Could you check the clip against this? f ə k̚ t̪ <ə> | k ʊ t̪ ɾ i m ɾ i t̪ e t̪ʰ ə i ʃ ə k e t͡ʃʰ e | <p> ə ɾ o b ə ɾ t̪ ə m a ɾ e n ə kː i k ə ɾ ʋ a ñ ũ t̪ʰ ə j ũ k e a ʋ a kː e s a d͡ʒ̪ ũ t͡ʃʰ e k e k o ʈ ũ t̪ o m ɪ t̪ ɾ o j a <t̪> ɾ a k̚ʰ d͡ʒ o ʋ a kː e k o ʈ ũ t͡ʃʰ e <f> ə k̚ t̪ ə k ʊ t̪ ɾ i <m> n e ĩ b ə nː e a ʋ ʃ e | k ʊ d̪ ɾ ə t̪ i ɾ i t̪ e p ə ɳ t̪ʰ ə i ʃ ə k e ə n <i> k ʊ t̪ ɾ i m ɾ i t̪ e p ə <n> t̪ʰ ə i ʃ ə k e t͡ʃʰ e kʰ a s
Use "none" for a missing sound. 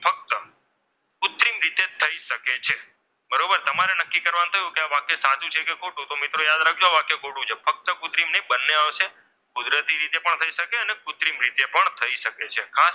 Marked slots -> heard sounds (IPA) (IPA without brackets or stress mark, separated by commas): ə, b, d̪, f, m, e, ɳ